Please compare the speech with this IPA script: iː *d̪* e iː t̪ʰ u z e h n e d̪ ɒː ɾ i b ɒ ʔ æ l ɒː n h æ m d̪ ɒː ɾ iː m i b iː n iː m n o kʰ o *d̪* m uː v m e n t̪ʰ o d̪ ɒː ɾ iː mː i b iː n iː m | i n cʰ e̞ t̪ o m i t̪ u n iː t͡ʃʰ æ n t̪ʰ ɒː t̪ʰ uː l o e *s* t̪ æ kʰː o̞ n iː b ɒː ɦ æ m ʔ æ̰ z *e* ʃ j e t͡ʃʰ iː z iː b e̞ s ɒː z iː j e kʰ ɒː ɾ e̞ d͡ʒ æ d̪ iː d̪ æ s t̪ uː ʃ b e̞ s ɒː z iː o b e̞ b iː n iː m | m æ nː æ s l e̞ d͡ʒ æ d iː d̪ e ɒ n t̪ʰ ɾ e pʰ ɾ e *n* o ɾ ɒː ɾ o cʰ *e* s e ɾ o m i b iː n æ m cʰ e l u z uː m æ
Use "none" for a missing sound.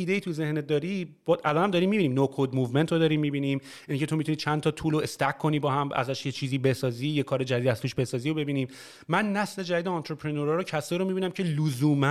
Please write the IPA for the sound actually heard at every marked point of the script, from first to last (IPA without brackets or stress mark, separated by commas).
d̪, d̪, s, æ, n, æ